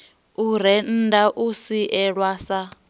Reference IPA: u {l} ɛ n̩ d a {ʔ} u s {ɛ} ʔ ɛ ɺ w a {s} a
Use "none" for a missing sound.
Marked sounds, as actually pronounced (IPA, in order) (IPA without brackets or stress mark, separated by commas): ɾ, ʔ, i, s